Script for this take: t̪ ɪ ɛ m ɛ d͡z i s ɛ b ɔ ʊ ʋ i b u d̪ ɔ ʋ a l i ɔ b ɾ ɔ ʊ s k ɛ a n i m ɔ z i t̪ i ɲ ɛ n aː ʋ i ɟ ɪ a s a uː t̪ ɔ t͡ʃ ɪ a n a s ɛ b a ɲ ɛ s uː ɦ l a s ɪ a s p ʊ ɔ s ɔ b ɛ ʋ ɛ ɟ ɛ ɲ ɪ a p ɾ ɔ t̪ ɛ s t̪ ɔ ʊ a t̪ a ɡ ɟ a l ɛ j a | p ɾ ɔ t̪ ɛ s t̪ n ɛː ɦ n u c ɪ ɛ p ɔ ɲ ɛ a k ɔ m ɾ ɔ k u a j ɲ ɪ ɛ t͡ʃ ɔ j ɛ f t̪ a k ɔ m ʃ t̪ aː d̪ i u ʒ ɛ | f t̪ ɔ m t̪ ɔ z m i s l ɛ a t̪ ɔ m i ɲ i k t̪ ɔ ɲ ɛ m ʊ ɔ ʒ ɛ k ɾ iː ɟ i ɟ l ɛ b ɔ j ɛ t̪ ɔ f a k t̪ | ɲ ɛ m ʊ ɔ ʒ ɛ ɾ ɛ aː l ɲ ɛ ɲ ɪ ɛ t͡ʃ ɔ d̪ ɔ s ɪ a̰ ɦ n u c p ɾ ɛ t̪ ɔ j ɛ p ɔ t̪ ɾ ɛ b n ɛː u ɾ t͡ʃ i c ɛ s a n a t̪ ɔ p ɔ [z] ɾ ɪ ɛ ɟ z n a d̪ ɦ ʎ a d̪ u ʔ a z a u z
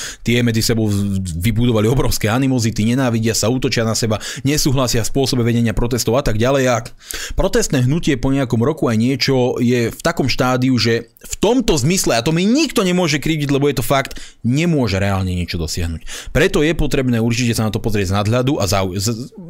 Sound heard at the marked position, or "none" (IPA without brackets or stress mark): z